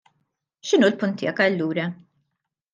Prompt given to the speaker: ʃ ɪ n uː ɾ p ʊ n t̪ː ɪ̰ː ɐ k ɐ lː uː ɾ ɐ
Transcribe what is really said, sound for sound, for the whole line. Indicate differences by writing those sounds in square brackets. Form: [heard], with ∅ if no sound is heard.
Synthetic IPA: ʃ ɪ n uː [l] p ʊ n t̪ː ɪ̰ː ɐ k ɐ lː uː ɾ ɐ